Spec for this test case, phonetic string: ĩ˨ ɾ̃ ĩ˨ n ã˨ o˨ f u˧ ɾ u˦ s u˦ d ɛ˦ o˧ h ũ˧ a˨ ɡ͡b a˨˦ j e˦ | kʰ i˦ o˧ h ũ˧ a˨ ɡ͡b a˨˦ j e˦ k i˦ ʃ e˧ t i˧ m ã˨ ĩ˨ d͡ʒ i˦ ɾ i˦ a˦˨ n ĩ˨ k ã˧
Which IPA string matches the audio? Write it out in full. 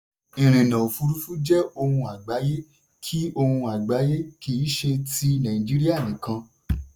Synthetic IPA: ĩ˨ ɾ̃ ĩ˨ n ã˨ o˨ f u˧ ɾ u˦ f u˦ d͡ʒ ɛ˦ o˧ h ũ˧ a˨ ɡ͡b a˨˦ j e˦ | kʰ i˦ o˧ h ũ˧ a˨ ɡ͡b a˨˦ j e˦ k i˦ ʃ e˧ t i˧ n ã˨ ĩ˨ d͡ʒ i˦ ɾ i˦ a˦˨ n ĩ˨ k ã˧